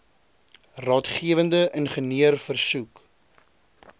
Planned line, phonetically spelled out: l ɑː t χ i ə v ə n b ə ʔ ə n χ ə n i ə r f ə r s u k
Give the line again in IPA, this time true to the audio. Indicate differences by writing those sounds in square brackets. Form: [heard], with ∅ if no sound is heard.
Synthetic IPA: [r] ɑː t χ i ə v ə n [d] ə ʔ ə n χ ə n i ə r f ə r s u k

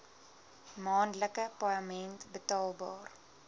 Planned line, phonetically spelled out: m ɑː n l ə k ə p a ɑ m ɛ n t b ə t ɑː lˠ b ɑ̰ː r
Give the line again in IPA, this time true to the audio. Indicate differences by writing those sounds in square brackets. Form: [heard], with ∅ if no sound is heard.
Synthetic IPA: m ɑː n l ə k ə p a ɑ m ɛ n t b ə t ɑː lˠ b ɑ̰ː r

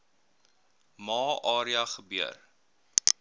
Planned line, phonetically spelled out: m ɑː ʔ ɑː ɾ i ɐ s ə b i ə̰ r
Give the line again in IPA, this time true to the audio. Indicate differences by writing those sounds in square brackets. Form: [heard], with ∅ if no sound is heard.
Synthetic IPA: m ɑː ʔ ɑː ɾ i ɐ [χ] ə b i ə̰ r

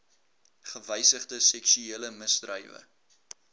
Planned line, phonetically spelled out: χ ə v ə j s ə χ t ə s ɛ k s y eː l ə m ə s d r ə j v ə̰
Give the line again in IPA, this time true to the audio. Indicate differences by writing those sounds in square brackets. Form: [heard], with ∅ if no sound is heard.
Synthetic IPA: χ ə v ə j s ə χ [d] ə s ɛ k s y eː l ə m ə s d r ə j v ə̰

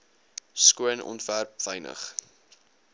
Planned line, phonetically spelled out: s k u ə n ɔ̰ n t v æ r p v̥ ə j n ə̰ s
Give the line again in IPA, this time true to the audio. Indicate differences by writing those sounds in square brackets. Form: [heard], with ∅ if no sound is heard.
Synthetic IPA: s k u ə n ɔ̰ n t v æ r p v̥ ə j n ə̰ [χ]

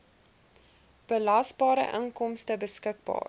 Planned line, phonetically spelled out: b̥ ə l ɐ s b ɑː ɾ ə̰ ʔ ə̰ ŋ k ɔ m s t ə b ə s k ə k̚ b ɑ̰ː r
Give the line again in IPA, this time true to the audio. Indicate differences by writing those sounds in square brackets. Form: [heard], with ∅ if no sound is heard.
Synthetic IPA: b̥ ə l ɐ s b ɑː ɾ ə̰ ʔ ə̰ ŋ k ɔ m s t ə b ə s k ə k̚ b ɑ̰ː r

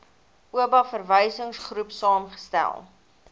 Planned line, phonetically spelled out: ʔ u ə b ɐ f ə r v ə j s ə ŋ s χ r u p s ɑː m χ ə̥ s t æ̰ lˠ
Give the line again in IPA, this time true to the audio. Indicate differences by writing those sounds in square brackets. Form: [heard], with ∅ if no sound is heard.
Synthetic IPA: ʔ u ə b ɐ f ə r v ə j s ə ŋ s χ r u p s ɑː m χ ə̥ s t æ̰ lˠ

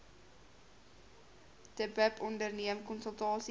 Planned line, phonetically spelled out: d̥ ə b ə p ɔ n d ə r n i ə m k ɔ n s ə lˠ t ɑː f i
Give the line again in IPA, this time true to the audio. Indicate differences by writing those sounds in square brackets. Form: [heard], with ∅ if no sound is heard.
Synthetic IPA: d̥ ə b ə p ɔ n d ə r n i ə m k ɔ n s ə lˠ t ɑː [s] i

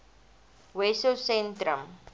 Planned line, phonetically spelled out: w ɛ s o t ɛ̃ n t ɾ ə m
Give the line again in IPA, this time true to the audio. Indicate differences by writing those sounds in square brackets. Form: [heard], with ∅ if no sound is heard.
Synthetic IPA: w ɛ s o [s] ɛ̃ n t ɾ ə m

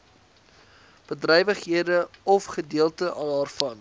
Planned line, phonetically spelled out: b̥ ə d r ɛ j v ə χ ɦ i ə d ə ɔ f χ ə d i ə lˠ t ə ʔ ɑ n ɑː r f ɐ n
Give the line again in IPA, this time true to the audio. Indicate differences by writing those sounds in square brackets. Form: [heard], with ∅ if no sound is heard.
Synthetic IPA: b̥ ə d r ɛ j v ə χ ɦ i ə d ə ɔ f χ ə d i ə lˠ t ə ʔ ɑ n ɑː r f ɐ n

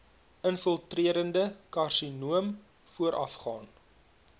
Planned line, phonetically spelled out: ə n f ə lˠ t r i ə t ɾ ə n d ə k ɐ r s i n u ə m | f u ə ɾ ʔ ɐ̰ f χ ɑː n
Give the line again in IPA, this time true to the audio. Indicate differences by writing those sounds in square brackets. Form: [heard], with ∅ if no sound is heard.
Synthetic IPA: ə n f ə lˠ t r i ə [∅] ɾ ə n d ə k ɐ r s i n u ə m | f u ə ɾ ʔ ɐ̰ f χ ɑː n

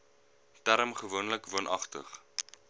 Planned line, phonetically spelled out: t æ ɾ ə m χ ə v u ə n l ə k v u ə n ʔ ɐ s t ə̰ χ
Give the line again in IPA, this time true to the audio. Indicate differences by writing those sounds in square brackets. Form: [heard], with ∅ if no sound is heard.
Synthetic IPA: t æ ɾ ə m χ ə v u ə n l ə k v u ə n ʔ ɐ [χ] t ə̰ χ

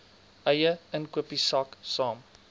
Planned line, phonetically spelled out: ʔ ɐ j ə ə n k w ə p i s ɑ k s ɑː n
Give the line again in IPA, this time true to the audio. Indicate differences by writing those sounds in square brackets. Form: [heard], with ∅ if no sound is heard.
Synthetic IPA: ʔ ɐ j ə ə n k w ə p i s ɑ k s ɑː [m]

